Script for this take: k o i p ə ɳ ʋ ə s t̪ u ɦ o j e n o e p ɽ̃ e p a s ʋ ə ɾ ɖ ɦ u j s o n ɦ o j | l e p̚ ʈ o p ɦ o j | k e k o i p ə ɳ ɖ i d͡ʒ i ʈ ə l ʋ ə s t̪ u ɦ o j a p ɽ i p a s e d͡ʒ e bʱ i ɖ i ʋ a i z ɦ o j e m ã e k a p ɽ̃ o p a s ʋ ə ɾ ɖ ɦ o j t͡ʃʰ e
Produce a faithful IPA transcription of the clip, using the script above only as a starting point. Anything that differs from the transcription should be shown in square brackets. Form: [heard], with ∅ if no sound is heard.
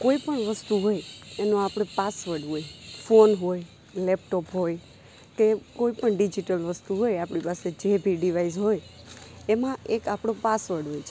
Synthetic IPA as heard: k o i p ə ɳ ʋ ə s t̪ u ɦ o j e n o [a] p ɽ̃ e p a s ʋ ə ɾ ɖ ɦ [o] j [f] o n ɦ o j | l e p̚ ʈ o p ɦ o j | k e k o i p ə ɳ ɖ i d͡ʒ i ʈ ə l ʋ ə s t̪ u ɦ o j a p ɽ i p a s e d͡ʒ e bʱ i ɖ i ʋ a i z ɦ o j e m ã e k a p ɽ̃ o p a s ʋ ə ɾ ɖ ɦ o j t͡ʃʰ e